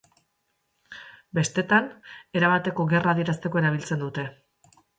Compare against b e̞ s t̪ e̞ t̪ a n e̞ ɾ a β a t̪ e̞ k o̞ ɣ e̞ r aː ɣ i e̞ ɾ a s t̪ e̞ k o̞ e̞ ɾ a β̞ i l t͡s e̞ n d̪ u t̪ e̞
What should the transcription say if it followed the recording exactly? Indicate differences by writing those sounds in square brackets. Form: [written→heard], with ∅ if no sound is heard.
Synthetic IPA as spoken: b e̞ s t̪ e̞ t̪ a n e̞ ɾ a β a t̪ e̞ k o̞ ɣ e̞ r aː [ɣ→ð] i e̞ ɾ a s t̪ e̞ k o̞ e̞ ɾ a β̞ i l t͡s e̞ n d̪ u t̪ e̞